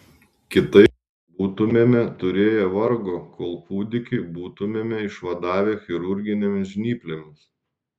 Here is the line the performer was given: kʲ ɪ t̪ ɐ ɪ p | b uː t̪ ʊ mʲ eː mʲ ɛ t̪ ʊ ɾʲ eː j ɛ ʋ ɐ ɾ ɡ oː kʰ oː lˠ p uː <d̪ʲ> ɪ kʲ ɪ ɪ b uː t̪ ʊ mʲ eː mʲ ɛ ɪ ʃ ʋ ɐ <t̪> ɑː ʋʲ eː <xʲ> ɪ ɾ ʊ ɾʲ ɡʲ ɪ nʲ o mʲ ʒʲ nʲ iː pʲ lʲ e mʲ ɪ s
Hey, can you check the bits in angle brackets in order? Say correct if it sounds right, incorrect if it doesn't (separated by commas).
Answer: correct, incorrect, correct